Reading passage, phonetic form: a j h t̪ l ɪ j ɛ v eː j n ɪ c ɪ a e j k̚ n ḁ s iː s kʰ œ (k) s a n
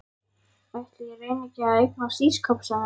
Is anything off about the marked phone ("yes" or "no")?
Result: yes